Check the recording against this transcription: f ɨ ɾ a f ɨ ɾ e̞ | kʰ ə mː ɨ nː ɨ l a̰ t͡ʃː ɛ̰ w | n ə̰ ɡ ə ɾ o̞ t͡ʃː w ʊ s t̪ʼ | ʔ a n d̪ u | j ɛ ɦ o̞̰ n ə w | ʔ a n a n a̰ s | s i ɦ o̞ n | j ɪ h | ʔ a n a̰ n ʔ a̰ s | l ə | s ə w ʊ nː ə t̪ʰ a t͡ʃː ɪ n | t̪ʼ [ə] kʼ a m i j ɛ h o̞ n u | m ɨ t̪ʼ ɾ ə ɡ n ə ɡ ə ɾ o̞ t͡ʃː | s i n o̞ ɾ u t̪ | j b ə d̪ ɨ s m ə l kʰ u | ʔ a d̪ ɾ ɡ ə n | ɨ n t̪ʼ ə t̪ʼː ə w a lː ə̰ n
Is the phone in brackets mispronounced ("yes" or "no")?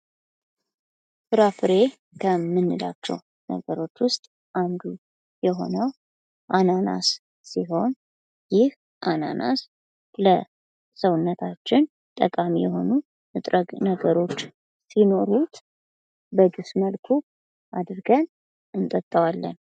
no